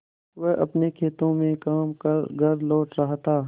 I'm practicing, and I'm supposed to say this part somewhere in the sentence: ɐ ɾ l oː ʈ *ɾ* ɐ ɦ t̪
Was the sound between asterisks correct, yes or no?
yes